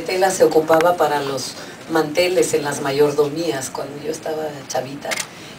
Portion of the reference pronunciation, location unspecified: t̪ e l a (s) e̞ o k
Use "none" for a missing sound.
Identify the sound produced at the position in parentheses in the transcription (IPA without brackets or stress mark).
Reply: s